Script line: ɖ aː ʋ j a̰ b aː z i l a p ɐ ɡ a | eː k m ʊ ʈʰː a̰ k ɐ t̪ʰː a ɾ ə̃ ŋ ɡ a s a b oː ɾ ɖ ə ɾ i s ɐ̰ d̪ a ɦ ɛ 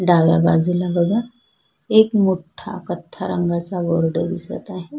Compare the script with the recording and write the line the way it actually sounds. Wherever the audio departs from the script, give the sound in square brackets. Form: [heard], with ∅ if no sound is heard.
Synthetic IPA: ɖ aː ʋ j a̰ b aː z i l a [b] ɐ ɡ a | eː k m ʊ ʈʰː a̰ k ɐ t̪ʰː a ɾ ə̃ ŋ ɡ a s a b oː ɾ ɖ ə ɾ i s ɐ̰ [t̪] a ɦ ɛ